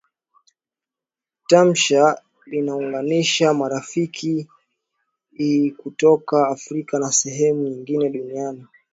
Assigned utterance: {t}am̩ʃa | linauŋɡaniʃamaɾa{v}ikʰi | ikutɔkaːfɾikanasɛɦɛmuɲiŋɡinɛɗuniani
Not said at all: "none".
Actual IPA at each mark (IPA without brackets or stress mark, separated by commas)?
t, f